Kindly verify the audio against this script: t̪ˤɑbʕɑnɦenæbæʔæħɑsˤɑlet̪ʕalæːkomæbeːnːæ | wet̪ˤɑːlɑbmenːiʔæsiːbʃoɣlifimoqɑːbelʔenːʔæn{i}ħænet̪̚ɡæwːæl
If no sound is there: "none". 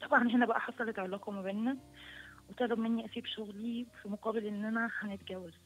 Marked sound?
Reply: æ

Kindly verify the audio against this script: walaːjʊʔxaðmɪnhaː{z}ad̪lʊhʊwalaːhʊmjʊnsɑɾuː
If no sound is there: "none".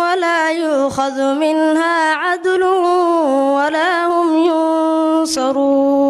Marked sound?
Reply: ʕ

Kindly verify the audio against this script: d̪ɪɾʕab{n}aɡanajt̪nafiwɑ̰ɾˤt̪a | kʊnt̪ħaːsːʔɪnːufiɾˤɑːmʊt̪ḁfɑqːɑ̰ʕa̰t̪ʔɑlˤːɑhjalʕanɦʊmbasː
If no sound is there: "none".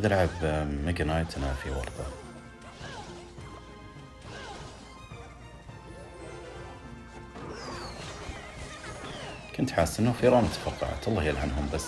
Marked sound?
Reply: m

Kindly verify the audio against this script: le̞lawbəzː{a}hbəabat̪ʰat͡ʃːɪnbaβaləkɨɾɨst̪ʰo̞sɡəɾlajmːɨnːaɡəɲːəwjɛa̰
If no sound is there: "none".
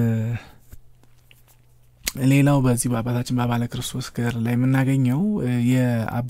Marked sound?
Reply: i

